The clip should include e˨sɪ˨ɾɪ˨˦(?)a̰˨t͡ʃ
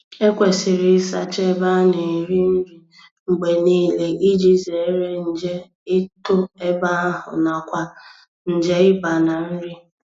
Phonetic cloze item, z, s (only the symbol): s